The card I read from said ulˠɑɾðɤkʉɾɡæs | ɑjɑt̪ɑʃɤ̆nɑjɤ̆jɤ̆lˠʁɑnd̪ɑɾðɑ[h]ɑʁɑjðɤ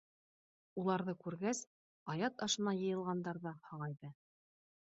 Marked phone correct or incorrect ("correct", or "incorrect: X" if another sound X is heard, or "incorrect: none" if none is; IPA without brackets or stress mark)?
correct